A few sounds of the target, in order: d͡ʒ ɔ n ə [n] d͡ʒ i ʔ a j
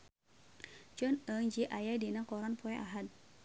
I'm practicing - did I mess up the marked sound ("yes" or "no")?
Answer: yes